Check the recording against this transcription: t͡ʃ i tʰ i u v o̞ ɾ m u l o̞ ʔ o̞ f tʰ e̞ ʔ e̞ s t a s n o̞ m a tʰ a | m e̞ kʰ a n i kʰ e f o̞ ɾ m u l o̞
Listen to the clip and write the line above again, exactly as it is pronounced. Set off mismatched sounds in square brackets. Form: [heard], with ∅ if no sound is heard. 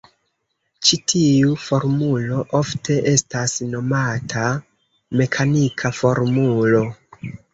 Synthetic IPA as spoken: t͡ʃ i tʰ i u [f] o̞ ɾ m u l o̞ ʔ o̞ f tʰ e̞ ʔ e̞ s t a s n o̞ m a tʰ a | m e̞ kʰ a n i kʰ [a] f o̞ ɾ m u l o̞